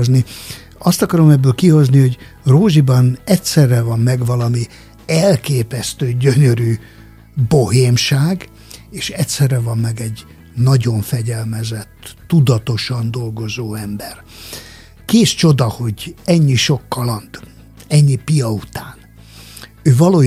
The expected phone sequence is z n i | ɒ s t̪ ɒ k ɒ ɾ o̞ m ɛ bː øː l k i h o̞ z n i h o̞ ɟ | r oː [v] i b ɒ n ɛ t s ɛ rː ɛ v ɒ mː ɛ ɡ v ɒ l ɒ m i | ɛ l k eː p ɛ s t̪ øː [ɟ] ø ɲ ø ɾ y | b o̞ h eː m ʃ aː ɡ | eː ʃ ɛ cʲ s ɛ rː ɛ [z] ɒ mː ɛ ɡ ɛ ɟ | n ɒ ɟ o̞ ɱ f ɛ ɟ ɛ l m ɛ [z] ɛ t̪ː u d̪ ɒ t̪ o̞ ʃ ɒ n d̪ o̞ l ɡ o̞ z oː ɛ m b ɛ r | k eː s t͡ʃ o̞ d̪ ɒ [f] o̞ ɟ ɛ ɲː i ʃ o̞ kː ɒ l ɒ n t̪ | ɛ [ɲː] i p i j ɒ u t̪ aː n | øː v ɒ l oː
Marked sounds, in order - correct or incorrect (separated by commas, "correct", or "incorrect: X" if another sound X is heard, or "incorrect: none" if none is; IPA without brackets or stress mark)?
incorrect: ʒ, correct, incorrect: v, correct, incorrect: h, correct